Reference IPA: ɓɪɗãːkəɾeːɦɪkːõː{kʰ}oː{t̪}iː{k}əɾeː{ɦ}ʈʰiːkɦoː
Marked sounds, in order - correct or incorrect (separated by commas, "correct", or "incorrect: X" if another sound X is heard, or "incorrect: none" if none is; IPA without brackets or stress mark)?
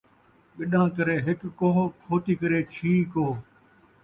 correct, correct, correct, incorrect: none